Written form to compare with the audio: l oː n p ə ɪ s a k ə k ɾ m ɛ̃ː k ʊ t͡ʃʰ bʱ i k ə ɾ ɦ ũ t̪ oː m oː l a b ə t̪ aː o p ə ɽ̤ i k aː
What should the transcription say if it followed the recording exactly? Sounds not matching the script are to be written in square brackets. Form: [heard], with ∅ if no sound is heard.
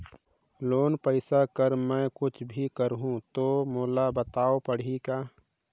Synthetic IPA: l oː n p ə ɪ s a k ə [∅] ɾ m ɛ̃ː k ʊ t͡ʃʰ bʱ i k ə ɾ ɦ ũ t̪ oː m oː l a b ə t̪ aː o p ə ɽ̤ i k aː